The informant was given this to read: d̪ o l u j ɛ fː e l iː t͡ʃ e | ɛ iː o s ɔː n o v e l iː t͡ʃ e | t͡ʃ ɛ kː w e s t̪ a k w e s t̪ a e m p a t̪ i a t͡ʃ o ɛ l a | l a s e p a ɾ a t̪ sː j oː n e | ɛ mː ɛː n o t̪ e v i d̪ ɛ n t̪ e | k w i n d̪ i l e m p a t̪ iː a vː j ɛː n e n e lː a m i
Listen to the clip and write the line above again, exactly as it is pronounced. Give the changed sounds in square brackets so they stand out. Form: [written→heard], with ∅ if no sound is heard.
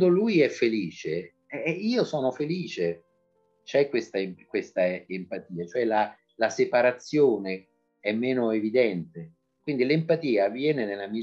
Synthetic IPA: d̪ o l u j ɛ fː e l iː t͡ʃ e | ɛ iː o s ɔː n o [v→f] e l iː t͡ʃ e | t͡ʃ ɛ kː w e s t̪ a k w e s t̪ a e m p a t̪ [i→iː] a t͡ʃ o ɛ l a | l a s e p a ɾ a t̪ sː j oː n e | ɛ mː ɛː n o [t̪→∅] e v i d̪ ɛ n t̪ e | k w i n d̪ i l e m p a t̪ iː a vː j ɛː n e n e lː a m i